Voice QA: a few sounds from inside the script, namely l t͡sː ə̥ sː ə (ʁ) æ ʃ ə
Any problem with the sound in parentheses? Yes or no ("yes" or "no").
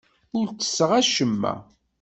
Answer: no